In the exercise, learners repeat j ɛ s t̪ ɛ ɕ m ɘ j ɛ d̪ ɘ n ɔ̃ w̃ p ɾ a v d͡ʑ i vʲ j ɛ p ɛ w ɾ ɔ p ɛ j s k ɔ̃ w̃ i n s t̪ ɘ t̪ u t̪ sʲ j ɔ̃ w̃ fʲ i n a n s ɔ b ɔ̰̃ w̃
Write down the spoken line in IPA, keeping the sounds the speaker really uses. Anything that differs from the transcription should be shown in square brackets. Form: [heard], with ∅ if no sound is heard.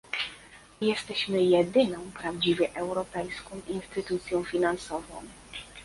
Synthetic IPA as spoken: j ɛ s t̪ ɛ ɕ m ɘ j ɛ d̪ ɘ n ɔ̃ w̃ p ɾ a v d͡ʑ i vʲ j ɛ [ʔ] ɛ w ɾ ɔ p ɛ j s k ɔ̃ w̃ i n s t̪ ɘ t̪ u t̪ sʲ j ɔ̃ w̃ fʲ i n a n s ɔ [v] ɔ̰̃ w̃